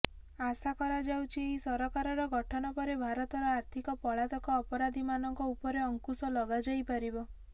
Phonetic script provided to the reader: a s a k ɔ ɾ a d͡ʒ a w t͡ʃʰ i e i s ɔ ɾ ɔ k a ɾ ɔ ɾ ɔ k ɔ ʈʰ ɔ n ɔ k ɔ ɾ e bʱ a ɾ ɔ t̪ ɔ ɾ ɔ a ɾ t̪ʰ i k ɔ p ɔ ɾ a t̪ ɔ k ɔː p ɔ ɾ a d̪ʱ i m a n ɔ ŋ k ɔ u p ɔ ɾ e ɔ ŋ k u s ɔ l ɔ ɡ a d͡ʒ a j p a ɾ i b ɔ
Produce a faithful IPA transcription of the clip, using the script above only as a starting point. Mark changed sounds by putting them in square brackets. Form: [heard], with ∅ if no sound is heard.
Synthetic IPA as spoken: a s a k ɔ ɾ a d͡ʒ a w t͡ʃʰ i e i s ɔ ɾ ɔ k a ɾ ɔ ɾ ɔ [ɡ] ɔ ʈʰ ɔ n ɔ [p] ɔ ɾ e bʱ a ɾ ɔ t̪ ɔ ɾ ɔ a ɾ t̪ʰ i k ɔ p ɔ [ɭ] a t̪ ɔ k ɔː p ɔ ɾ a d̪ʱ i m a n ɔ ŋ k ɔ u p ɔ ɾ e ɔ ŋ k u s ɔ l ɔ ɡ a d͡ʒ a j p a ɾ i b ɔ